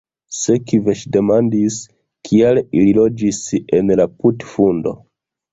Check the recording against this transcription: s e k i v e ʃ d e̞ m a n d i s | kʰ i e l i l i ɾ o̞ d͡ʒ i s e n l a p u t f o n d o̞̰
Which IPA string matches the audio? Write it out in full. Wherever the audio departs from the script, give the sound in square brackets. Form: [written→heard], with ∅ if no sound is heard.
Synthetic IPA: s e k i v e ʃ d e̞ m a n d i s | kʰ i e l i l i [ɾ→l] o̞ d͡ʒ i s e n l a p u t f [o→u] n d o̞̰